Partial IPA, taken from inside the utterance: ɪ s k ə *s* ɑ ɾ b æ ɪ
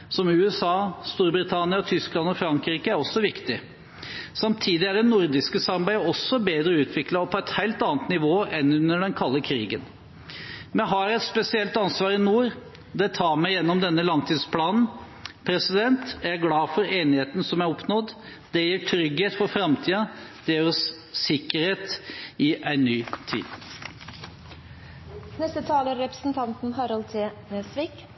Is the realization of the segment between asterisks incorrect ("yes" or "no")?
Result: no